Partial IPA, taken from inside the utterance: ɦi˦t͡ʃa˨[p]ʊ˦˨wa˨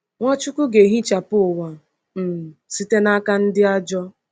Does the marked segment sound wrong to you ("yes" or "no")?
no